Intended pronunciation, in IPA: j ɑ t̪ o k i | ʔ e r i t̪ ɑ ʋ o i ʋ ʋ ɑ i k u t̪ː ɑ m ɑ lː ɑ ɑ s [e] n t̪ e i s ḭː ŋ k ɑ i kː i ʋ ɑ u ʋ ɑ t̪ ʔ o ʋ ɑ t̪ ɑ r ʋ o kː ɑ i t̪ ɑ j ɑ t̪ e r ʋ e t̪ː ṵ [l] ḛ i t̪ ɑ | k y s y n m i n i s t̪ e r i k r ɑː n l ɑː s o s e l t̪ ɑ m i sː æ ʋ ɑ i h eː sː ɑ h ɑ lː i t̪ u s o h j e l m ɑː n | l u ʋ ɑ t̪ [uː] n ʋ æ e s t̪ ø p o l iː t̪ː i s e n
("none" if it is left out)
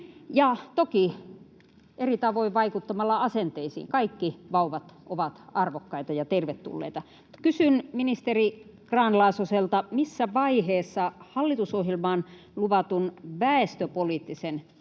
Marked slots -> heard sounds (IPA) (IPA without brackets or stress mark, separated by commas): e, lː, u